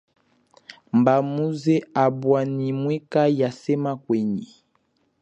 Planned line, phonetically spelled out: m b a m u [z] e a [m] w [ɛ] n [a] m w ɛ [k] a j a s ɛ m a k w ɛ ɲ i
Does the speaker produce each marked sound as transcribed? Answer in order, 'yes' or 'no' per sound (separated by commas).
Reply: yes, no, no, no, yes